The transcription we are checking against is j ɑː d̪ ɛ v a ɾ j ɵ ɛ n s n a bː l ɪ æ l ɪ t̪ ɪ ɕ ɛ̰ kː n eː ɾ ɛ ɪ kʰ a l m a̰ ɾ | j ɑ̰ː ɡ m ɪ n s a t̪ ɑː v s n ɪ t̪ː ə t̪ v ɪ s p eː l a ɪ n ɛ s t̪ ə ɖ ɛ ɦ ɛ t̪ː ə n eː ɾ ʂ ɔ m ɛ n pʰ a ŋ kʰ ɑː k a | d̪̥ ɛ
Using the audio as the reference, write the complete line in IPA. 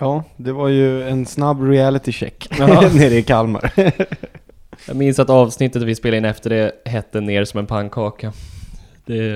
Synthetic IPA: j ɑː d̪ ɛ v a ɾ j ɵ ɛ n s n a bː ɾ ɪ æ l ɪ t̪ ɪ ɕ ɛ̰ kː n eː ɾ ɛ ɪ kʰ a l m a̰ ɾ | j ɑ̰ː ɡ m ɪ n s a t̪ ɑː v s n ɪ t̪ː ə t̪ v ɪ s p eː l a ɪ n ɛ f t̪ ə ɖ ɛ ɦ ɛ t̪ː ə n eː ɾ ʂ ɔ m ɛ n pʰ a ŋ kʰ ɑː k a | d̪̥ ɛ